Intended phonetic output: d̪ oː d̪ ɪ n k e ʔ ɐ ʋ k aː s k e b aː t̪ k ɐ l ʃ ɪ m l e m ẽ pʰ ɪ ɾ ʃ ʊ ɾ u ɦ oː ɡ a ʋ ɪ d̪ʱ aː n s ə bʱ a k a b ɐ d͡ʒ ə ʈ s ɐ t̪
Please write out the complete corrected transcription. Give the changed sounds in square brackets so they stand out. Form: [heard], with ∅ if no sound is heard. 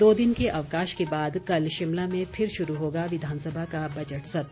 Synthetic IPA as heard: d̪ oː d̪ ɪ n k e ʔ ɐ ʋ k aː [ʃ] k e b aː [d̪] k ɐ l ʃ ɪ m l [a] m ẽ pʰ ɪ ɾ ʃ ʊ ɾ u ɦ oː ɡ a ʋ ɪ d̪ʱ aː n s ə bʱ a k a b ɐ d͡ʒ ə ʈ s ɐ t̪